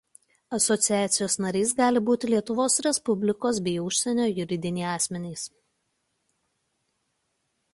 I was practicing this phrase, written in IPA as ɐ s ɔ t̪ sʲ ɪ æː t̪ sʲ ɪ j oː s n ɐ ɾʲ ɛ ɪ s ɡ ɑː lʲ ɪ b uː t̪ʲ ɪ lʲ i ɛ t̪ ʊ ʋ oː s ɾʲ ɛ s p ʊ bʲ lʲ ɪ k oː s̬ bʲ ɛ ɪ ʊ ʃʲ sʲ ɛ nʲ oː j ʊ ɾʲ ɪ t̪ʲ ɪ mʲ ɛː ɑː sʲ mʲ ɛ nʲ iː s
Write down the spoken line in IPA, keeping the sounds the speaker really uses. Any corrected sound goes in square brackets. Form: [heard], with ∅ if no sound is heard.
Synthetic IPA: ɐ s ɔ t̪ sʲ ɪ æː t̪ sʲ ɪ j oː s n ɐ ɾʲ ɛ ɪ s ɡ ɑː lʲ ɪ b uː t̪ʲ ɪ lʲ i ɛ t̪ ʊ ʋ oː s ɾʲ ɛ s p ʊ bʲ lʲ ɪ k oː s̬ bʲ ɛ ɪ ʊ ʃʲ sʲ ɛ nʲ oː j ʊ ɾʲ ɪ [d̪ʲ] ɪ [nʲ] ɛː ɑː sʲ mʲ ɛ nʲ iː s

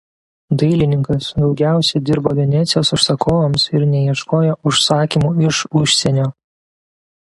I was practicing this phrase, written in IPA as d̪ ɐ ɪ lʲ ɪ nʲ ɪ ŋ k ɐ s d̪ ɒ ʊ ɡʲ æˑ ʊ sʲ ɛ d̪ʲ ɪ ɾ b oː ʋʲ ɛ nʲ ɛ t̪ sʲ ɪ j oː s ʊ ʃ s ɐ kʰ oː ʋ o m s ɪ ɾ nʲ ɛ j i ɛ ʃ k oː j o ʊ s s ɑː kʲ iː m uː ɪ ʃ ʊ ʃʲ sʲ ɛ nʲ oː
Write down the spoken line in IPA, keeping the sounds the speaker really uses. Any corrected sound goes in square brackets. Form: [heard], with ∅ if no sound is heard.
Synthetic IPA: d̪ ɐ ɪ lʲ ɪ nʲ ɪ ŋ k ɐ s d̪ ɒ ʊ ɡʲ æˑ ʊ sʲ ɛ d̪ʲ ɪ ɾ b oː ʋʲ ɛ nʲ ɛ t̪ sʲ ɪ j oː s ʊ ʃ s ɐ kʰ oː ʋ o m s ɪ ɾ nʲ ɛ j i ɛ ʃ k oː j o ʊ [ʃ] s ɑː kʲ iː m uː ɪ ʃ ʊ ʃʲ sʲ ɛ nʲ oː

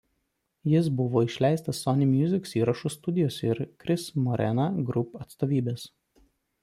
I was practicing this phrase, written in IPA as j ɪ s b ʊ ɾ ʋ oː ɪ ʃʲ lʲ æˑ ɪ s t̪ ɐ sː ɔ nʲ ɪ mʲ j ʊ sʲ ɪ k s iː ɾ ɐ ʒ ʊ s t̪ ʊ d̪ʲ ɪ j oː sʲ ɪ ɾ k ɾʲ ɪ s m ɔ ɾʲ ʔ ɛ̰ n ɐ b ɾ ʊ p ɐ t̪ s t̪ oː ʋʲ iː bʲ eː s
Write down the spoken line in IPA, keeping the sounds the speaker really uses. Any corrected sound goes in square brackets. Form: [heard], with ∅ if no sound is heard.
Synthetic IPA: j ɪ s b ʊ [∅] ʋ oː ɪ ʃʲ lʲ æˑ ɪ s t̪ ɐ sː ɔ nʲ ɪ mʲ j ʊ [zʲ] ɪ k s iː ɾ ɐ [ʃ] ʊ s t̪ ʊ d̪ʲ ɪ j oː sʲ ɪ ɾ k ɾʲ ɪ s m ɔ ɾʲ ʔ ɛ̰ n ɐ [ɡ] ɾ ʊ p ɐ t̪ s t̪ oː ʋʲ iː bʲ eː s

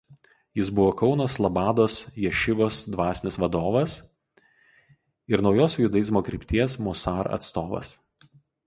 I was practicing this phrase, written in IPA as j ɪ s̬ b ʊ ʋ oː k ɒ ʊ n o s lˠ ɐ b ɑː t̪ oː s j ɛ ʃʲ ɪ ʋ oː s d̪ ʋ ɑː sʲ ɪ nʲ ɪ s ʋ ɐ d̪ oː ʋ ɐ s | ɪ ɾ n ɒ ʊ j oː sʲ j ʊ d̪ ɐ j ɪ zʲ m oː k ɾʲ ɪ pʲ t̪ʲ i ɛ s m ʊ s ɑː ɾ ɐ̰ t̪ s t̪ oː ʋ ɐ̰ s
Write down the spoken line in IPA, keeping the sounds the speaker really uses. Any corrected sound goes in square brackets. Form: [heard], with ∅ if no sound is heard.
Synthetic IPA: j ɪ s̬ b ʊ ʋ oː k ɒ ʊ n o s lˠ ɐ b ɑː [d̪] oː s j ɛ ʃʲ ɪ ʋ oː s d̪ ʋ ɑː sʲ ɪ nʲ ɪ s ʋ ɐ d̪ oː ʋ ɐ s | ɪ ɾ n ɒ ʊ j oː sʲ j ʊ d̪ ɐ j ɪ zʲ m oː k ɾʲ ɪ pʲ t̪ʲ i ɛ s m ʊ s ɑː ɾ ɐ̰ t̪ s t̪ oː ʋ ɐ̰ s

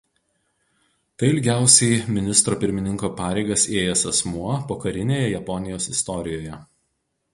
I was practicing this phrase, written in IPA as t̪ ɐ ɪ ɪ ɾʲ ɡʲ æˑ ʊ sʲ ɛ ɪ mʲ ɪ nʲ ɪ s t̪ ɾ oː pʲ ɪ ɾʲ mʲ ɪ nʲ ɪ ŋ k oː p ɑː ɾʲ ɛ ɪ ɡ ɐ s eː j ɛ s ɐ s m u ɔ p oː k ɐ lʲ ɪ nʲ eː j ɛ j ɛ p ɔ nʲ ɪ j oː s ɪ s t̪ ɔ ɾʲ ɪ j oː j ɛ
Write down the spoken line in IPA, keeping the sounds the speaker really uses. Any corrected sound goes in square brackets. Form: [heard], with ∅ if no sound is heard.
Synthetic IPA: t̪ ɐ ɪ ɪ [lʲ] ɡʲ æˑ ʊ sʲ ɛ ɪ mʲ ɪ nʲ ɪ s t̪ ɾ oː pʲ ɪ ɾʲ mʲ ɪ nʲ ɪ ŋ k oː p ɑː ɾʲ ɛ ɪ ɡ ɐ s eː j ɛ s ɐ s m u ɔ p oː k ɐ [ɾʲ] ɪ nʲ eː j ɛ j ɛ p ɔ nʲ ɪ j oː s ɪ s t̪ ɔ ɾʲ ɪ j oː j ɛ

